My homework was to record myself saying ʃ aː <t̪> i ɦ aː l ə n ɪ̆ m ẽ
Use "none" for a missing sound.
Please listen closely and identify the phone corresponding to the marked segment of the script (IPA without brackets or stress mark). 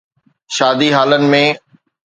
d̪